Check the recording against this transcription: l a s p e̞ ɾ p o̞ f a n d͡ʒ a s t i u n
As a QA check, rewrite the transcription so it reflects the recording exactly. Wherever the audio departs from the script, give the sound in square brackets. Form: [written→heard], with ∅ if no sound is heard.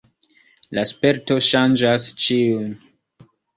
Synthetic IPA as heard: l a s p e̞ ɾ [p→t] o̞ [f→ʃ] a n d͡ʒ a s [t→t͡ʃ] i u n